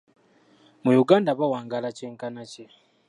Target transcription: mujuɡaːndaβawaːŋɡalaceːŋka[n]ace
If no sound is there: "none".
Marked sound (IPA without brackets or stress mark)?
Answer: n